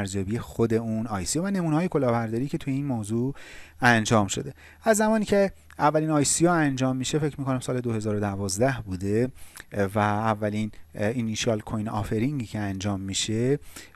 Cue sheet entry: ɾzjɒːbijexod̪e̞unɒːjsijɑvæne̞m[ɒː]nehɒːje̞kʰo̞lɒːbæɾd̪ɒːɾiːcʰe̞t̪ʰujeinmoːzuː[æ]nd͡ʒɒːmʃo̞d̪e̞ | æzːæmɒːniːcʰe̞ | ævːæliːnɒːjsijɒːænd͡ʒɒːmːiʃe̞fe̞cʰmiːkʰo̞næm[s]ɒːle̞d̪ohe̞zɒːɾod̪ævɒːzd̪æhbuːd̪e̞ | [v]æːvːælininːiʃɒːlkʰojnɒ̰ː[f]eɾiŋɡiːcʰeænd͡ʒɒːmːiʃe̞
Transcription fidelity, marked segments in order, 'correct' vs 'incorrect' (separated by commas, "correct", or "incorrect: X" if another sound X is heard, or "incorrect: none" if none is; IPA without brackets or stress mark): incorrect: uː, correct, correct, correct, correct